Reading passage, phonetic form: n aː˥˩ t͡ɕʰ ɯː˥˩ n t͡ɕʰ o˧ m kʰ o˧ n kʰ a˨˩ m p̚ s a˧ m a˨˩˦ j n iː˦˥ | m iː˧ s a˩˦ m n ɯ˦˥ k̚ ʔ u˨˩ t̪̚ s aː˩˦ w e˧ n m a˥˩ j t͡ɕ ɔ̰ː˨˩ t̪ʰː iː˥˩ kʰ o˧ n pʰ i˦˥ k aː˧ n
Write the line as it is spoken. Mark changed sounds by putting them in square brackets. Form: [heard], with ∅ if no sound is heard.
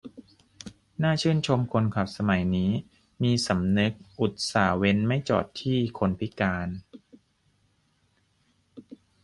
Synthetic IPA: n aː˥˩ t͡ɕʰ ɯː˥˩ n t͡ɕʰ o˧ m kʰ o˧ n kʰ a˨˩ [∅] p̚ s a˧ m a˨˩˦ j n iː˦˥ | m iː˧ s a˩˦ m n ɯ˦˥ k̚ ʔ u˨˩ t̪̚ s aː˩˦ w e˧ n m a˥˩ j t͡ɕ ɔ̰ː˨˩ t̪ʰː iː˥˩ kʰ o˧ n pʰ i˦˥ k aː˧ n